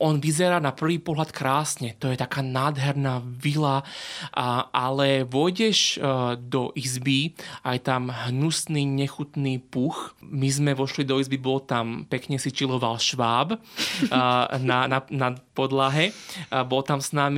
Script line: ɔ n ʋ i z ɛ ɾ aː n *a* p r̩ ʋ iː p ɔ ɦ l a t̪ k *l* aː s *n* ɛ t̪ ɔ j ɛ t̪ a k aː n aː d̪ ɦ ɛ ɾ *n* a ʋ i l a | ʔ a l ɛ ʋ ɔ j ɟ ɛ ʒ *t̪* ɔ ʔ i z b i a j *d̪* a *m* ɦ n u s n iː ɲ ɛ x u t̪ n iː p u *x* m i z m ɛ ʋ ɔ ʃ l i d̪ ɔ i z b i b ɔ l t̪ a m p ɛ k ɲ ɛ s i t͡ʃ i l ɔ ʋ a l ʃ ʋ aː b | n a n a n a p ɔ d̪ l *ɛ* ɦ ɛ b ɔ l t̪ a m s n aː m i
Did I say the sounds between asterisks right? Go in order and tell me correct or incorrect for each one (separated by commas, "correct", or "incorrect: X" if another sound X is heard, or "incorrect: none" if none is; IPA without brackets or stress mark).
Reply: correct, incorrect: ɾ, incorrect: ɲ, correct, incorrect: d̪, incorrect: t̪, correct, correct, incorrect: a